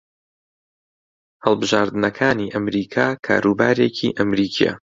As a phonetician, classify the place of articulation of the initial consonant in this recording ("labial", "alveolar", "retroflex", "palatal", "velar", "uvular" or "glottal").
glottal